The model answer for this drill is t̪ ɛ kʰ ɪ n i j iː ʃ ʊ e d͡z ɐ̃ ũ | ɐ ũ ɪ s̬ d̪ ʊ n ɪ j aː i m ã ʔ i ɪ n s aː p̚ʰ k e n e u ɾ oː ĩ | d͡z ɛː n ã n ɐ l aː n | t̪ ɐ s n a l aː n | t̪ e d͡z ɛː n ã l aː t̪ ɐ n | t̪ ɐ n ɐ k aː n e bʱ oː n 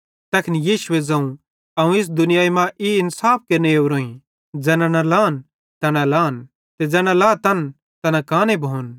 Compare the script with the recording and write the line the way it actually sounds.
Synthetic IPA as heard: t̪ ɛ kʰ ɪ n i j iː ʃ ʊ e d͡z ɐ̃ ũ | ɐ ũ ɪ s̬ d̪ ʊ n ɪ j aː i m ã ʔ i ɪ n s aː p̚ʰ k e n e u ɾ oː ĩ | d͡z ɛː n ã n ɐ l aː n | t̪ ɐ n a l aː n | t̪ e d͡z ɛː n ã l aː t̪ ɐ n | t̪ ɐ n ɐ k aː n e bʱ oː n